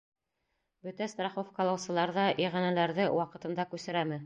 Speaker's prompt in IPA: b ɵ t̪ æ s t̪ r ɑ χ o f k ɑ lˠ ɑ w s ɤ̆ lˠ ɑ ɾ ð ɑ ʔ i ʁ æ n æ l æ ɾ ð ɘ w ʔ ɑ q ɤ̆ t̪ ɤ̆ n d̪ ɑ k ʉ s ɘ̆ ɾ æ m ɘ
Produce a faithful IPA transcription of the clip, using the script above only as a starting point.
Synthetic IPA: b ɵ t̪ æ s t̪ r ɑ χ o f k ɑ lˠ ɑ w s ɤ̆ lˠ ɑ ɾ ð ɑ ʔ i ʁ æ n æ l æ ɾ ð ɘ w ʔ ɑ q ɤ̆ t̪ ɤ̆ n d̪ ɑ k ʉ s ɘ̆ ɾ æ m ɘ